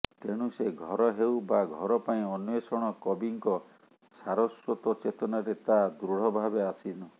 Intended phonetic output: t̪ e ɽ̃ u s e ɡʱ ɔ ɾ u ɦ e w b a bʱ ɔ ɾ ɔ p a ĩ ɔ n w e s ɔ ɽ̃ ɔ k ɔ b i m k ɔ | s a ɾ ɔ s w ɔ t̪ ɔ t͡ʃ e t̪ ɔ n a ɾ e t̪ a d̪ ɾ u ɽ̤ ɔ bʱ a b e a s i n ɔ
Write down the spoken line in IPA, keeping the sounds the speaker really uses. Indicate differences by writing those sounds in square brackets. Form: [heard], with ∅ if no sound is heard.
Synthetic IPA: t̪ e ɽ̃ u s e ɡʱ ɔ ɾ [ɔ] ɦ e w b a [ɡʱ] ɔ ɾ ɔ p a ĩ ɔ n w e s ɔ ɽ̃ ɔ k ɔ b i [ŋ] k ɔ | s a ɾ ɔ s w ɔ t̪ ɔ t͡ʃ e t̪ ɔ n a ɾ e t̪ a d̪ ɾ u ɽ̤ ɔ bʱ a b e a s i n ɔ